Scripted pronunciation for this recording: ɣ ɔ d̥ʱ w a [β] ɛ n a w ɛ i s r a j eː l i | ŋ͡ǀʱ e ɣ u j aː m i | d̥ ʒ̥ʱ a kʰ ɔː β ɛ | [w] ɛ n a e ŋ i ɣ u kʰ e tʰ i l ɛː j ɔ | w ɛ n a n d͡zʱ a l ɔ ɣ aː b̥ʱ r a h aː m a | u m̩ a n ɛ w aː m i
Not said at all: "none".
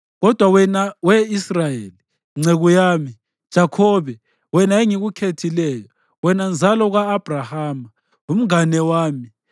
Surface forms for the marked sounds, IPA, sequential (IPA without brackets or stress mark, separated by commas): w, w